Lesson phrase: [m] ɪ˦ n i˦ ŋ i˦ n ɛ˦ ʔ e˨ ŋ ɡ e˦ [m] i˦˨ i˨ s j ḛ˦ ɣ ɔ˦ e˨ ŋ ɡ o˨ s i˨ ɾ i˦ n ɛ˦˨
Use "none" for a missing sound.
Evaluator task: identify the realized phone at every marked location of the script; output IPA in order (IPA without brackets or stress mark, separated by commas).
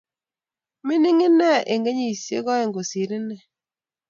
m, ɲ